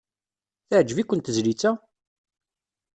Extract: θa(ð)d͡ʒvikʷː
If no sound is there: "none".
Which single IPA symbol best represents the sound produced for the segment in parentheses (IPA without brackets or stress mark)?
ʕ